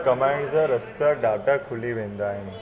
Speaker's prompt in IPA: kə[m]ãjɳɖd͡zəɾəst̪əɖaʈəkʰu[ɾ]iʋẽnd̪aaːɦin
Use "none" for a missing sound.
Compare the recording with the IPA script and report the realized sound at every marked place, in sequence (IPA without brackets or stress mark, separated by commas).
m, l